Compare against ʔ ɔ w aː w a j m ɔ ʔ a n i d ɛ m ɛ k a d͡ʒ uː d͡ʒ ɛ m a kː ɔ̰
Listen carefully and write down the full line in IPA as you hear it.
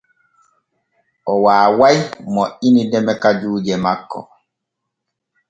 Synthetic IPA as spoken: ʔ ɔ w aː w a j m ɔ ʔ i n i d ɛ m ɛ k a d͡ʒ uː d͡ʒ ɛ m a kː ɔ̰